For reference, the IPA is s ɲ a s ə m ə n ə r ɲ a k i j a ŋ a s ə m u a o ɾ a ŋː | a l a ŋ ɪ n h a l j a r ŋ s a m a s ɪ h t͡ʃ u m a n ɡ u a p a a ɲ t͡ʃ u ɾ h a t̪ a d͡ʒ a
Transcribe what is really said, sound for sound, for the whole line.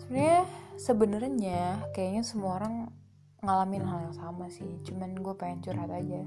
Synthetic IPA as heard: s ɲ a s ə b ə n ə r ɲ a k a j a ɲ a s ə m u a o ɾ a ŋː | a l a m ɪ n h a l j a ŋ s a m a s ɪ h t͡ʃ u m a n ɡ u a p a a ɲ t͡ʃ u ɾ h a t̪ a d͡ʒ a